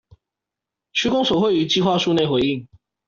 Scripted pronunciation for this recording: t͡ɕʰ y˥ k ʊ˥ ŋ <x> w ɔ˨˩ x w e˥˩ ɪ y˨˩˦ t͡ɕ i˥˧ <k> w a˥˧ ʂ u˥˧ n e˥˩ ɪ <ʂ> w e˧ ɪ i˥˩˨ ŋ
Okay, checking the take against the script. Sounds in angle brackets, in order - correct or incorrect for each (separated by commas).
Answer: incorrect, incorrect, incorrect